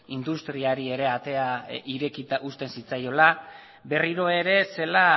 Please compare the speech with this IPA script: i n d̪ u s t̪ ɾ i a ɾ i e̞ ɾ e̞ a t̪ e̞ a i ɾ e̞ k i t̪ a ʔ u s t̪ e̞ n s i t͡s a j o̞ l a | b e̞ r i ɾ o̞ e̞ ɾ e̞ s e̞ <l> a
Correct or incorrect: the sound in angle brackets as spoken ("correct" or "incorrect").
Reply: correct